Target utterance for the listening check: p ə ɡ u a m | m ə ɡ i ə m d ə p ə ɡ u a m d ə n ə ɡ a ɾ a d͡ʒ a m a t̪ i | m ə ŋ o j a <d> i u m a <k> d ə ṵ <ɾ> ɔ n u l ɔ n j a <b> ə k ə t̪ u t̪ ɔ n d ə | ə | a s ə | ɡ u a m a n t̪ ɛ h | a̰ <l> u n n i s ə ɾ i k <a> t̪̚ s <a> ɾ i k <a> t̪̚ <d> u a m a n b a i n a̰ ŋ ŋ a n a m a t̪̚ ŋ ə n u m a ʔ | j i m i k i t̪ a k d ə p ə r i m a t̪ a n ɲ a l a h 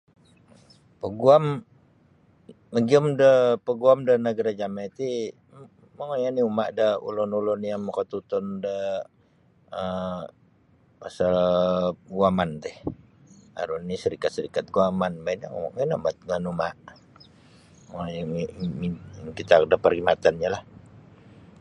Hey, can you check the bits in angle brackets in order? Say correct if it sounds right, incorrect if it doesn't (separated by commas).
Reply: incorrect, incorrect, incorrect, incorrect, incorrect, correct, incorrect, correct, incorrect